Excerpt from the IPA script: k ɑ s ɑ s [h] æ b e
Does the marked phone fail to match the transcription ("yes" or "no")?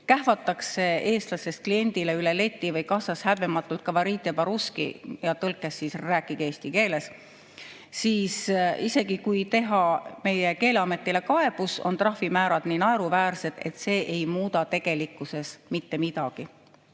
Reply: no